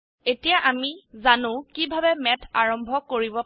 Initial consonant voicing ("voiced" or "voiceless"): voiceless